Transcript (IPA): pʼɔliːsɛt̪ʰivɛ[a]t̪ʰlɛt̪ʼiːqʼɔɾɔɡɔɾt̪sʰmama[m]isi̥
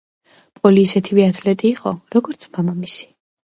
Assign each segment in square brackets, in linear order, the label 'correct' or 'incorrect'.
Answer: correct, correct

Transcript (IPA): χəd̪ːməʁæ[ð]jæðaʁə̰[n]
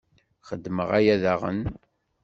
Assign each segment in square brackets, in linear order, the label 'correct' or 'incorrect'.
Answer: incorrect: none, correct

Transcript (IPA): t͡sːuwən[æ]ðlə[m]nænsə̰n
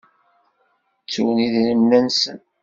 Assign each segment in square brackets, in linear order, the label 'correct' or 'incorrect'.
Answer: incorrect: i, correct

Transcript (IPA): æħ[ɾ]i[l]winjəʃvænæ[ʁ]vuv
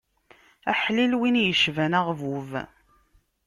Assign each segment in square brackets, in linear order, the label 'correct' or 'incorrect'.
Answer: incorrect: l, correct, correct

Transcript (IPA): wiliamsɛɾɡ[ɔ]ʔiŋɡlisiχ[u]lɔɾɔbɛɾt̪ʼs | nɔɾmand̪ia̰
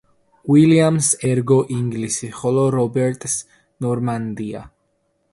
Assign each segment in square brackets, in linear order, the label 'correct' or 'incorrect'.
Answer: correct, incorrect: ɔ

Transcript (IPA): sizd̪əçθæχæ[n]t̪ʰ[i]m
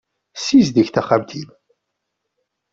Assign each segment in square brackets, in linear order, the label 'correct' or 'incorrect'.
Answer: incorrect: m, correct

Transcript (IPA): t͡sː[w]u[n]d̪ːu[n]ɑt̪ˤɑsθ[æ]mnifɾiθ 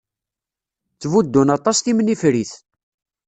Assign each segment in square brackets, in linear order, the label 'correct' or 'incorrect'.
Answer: incorrect: v, incorrect: none, correct, incorrect: i

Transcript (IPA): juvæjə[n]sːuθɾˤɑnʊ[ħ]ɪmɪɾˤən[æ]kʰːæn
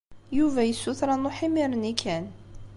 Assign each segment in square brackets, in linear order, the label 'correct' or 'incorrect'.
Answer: incorrect: none, correct, incorrect: i

